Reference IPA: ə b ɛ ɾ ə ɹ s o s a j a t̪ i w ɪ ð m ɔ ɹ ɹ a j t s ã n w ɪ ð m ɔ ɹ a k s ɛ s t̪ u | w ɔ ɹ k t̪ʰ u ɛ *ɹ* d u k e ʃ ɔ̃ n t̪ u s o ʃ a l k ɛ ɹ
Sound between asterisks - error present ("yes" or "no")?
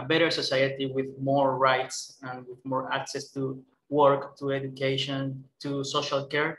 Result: yes